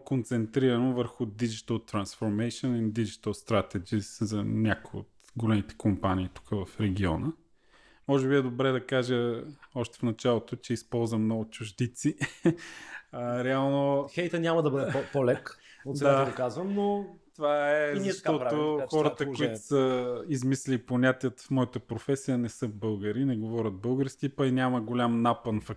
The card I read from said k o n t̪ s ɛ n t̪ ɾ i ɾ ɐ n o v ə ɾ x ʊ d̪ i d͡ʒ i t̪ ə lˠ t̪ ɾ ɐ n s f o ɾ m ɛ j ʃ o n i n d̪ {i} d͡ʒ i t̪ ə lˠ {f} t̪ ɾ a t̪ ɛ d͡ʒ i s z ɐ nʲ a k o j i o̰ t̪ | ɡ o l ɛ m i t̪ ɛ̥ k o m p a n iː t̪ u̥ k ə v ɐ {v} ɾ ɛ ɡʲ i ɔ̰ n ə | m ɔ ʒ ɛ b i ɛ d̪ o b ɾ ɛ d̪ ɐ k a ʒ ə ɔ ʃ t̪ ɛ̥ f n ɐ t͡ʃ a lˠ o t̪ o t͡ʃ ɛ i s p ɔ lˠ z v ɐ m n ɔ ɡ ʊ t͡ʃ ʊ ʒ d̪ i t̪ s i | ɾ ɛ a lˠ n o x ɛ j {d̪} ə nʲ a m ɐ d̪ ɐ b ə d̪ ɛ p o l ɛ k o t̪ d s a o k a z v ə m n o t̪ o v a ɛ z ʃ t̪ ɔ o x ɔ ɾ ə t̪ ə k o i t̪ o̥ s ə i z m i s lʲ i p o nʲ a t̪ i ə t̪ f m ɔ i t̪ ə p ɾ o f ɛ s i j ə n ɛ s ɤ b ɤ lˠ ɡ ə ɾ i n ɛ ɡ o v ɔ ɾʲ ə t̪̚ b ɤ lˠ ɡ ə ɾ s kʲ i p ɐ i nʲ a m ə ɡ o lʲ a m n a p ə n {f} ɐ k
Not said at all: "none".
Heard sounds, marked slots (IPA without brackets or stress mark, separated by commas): i, s, f, t̪, f